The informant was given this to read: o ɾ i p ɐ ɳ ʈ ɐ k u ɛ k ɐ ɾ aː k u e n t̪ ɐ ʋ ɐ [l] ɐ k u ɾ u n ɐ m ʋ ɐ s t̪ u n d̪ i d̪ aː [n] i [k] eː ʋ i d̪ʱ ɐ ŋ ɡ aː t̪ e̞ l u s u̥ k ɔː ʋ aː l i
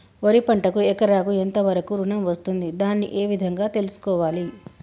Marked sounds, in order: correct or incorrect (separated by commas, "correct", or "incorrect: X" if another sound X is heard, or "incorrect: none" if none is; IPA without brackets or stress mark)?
incorrect: ɾ, incorrect: nː, incorrect: ʔ